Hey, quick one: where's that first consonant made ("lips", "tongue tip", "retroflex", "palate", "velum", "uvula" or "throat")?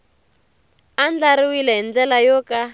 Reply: tongue tip